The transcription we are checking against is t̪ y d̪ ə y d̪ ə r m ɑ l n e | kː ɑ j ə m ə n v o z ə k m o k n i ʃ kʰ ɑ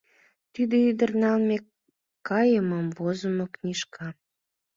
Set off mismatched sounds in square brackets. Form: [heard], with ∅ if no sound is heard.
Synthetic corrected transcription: t̪ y d̪ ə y d̪ ə r [n] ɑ l [m] e | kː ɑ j ə m ə [m] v o z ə [∅] m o k n i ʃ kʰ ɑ